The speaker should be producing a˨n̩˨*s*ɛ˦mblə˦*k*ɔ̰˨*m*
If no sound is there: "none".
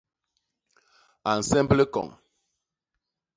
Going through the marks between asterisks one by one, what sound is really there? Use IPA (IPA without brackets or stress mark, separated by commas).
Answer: s, k, ŋ